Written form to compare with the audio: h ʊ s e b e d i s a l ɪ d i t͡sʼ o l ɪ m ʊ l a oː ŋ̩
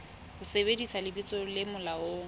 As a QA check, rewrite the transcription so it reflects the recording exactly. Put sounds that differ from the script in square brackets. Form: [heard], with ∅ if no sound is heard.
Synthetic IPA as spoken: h ʊ s e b e d i s a l ɪ [b] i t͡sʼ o l ɪ m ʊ l a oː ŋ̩